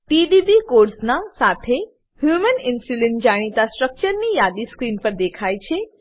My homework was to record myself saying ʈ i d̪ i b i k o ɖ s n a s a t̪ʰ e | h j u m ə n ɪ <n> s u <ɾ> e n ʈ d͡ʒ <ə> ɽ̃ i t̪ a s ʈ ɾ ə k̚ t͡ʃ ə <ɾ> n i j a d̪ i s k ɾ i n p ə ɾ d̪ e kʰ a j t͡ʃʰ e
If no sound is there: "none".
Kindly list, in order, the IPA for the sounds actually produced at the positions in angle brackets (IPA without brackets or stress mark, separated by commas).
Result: n, l, a, ɾ